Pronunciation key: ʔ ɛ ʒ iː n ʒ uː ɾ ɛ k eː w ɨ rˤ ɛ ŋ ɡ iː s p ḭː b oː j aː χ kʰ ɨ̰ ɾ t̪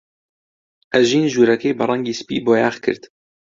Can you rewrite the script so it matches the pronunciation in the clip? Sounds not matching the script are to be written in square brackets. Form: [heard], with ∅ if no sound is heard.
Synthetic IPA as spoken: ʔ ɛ ʒ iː n ʒ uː ɾ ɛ k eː [b] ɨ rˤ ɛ ŋ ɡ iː s p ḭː b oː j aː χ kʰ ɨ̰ ɾ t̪